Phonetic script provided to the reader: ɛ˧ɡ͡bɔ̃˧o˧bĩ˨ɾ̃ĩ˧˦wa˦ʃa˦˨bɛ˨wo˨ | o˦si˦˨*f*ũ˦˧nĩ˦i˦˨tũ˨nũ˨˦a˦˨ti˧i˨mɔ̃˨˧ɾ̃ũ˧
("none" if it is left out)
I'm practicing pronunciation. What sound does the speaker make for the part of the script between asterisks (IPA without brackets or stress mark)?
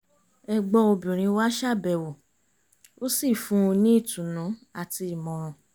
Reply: f